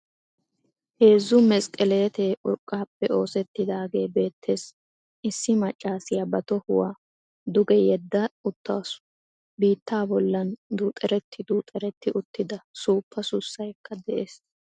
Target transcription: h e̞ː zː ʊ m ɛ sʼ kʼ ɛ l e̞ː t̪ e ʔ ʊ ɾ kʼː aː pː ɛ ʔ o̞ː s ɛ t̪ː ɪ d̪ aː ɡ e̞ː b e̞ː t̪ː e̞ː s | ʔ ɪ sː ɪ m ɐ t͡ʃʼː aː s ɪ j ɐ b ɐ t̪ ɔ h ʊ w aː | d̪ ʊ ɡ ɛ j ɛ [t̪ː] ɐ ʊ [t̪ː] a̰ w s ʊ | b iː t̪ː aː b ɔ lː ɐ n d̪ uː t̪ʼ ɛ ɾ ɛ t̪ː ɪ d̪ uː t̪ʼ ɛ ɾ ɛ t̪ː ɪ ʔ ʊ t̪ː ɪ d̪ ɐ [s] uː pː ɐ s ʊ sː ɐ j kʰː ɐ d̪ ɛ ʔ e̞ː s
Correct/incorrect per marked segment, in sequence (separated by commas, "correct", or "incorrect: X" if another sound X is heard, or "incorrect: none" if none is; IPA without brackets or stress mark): incorrect: d̪ː, correct, correct